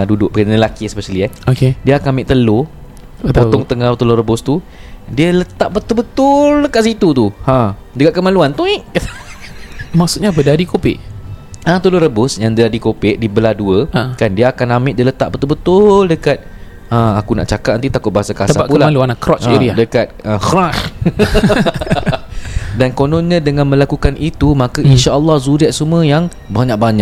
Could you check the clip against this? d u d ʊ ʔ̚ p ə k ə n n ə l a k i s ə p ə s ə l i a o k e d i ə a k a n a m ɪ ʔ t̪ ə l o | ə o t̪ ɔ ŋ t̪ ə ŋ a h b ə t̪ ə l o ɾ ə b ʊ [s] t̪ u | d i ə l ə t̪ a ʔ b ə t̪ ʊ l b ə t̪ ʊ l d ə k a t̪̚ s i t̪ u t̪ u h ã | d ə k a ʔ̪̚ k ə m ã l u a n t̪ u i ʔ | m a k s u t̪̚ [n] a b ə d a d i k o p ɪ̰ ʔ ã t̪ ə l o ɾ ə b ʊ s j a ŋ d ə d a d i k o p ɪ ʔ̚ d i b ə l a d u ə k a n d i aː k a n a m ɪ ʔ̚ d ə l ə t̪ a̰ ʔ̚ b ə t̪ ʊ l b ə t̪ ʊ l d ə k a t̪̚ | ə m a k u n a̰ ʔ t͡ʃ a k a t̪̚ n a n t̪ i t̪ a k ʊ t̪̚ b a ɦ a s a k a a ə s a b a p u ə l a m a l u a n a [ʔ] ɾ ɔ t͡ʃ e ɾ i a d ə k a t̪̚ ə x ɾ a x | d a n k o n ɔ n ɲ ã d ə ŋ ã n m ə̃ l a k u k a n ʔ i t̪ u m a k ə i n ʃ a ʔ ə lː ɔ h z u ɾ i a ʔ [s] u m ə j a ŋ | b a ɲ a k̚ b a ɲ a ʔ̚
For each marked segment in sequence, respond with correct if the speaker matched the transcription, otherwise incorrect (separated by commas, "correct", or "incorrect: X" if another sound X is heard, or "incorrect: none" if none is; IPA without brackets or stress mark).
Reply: correct, incorrect: ɲ, incorrect: k, correct